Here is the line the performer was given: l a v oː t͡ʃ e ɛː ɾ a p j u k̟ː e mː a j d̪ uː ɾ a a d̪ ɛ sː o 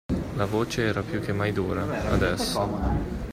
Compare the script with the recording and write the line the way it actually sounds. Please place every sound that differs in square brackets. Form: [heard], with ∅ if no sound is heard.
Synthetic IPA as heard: l a v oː t͡ʃ e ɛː ɾ a p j u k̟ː e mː a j d̪ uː ɾ a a d̪ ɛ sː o